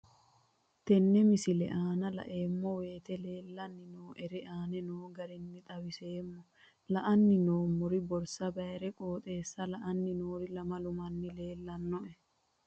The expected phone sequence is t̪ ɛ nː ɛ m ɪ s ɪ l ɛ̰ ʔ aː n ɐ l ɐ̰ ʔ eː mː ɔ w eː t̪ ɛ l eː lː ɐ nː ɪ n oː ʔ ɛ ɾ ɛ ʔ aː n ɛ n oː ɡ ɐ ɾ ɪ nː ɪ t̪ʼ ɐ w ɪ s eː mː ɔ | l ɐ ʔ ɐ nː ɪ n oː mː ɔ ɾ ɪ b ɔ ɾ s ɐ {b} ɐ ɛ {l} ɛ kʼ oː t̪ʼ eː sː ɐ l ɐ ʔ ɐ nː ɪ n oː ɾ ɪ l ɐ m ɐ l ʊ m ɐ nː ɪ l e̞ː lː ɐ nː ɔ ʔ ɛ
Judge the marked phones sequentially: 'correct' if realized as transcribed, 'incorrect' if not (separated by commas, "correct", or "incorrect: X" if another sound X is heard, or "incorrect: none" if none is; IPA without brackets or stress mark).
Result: correct, incorrect: ɾ